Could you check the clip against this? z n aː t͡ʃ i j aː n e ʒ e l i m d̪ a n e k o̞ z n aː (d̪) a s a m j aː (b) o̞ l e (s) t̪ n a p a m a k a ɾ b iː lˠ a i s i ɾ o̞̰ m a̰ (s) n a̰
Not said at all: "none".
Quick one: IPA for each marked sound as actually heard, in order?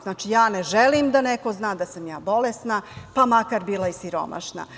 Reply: d̪, b, s, ʃ

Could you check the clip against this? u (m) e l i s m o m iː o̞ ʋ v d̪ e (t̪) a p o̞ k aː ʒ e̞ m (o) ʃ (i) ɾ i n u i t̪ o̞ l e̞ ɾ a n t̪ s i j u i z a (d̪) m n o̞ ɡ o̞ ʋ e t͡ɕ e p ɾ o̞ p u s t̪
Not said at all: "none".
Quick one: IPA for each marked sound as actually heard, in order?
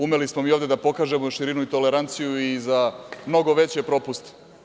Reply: m, d̪, o, i, none

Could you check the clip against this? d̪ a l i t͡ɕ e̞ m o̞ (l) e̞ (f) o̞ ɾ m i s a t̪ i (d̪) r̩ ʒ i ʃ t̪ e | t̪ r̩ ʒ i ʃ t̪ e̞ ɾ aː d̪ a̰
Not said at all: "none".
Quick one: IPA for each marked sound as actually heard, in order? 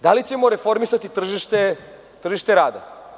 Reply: ɾ, f, t̪

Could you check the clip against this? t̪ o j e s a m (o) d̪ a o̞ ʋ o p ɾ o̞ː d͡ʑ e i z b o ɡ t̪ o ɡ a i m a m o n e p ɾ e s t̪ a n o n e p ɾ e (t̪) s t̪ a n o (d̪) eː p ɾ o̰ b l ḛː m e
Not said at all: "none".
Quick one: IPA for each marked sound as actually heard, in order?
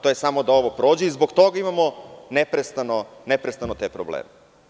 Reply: o, none, t̪

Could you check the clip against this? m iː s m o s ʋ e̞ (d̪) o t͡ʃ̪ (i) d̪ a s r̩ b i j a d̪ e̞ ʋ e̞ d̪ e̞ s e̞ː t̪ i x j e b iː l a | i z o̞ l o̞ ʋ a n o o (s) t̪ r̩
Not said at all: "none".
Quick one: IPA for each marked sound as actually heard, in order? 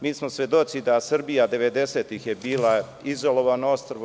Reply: d̪, i, s

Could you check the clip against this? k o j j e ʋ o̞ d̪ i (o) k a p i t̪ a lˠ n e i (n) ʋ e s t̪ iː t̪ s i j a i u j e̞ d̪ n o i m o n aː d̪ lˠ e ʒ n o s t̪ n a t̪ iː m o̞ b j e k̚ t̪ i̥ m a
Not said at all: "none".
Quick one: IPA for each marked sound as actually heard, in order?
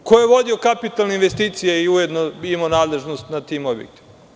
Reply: o, n

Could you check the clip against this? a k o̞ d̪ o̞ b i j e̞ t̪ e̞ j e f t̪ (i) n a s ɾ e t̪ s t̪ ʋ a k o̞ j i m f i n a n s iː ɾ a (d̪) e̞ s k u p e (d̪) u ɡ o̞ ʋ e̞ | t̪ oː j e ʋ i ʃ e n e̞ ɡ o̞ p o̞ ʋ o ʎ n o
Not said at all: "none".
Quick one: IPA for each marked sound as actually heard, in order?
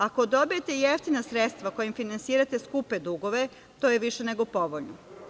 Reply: i, t̪, d̪

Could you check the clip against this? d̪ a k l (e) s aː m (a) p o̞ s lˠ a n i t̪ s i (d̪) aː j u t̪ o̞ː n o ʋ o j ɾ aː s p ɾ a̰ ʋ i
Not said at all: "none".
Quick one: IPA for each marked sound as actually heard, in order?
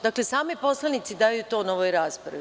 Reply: e, i, d̪

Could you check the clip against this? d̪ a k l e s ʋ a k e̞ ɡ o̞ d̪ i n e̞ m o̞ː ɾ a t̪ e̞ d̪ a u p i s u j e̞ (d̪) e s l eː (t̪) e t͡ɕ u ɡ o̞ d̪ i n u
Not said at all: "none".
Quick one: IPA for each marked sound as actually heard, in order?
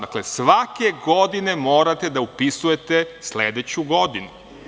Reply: t̪, d̪

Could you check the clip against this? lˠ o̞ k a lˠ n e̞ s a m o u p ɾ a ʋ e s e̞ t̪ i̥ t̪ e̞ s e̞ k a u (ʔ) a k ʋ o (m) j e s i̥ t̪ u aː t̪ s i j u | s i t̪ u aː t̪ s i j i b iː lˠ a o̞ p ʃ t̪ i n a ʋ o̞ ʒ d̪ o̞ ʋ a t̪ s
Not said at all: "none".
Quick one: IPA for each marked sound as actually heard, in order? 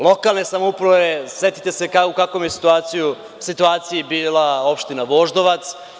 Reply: k, m

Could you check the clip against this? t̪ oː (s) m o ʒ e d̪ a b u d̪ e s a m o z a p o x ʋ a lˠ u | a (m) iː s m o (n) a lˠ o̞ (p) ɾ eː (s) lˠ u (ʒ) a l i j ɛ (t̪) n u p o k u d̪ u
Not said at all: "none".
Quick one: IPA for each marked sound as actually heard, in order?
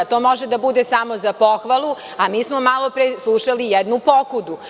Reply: none, m, m, p, s, ʃ, d̪

